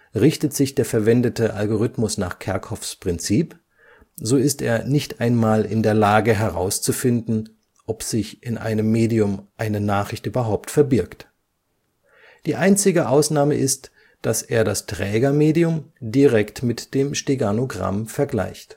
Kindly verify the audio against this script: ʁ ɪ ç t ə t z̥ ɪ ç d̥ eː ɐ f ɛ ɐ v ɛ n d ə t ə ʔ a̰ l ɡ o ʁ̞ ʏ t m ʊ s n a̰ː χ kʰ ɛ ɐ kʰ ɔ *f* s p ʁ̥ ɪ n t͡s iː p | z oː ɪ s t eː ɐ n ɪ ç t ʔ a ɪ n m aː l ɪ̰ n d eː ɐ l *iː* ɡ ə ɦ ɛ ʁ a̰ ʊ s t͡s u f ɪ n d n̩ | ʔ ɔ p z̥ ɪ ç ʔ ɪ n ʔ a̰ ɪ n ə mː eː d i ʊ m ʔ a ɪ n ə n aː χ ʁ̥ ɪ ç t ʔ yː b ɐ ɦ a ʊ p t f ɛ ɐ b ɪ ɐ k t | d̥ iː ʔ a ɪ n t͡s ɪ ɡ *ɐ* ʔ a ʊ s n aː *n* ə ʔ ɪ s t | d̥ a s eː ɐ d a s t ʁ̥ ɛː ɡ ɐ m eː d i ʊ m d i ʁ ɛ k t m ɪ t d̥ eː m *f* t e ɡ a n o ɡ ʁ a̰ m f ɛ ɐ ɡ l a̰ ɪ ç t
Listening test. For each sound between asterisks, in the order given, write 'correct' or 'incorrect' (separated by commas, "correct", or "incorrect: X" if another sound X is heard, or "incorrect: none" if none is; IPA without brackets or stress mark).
correct, incorrect: aː, incorrect: ə, incorrect: m, incorrect: ʃ